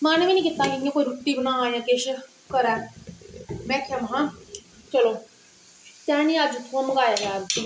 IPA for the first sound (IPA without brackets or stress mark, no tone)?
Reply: m